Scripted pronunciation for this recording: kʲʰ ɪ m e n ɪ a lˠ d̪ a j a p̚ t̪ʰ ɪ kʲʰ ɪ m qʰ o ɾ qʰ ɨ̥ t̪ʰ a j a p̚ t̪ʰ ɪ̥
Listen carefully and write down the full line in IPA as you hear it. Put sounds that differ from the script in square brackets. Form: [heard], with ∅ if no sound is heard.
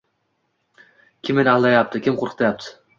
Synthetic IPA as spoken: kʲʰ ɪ m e n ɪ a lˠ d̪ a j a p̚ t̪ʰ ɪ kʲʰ ɪ m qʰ o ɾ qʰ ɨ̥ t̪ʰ a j a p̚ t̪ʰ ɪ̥